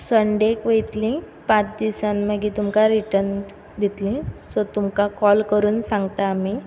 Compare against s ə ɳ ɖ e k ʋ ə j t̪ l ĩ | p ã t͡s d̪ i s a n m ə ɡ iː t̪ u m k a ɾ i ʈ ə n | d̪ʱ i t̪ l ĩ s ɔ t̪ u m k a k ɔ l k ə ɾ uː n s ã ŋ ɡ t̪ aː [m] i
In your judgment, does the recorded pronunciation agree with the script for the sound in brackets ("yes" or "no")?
yes